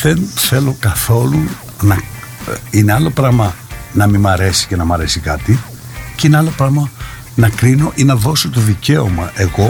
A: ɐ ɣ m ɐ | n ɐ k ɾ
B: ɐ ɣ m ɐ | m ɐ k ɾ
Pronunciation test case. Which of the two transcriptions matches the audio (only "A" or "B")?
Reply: A